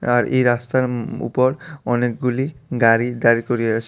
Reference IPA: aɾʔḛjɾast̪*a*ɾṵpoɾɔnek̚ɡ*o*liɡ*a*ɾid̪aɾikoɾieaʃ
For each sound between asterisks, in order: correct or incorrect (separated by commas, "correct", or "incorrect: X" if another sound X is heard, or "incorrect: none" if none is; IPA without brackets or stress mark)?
correct, incorrect: u, correct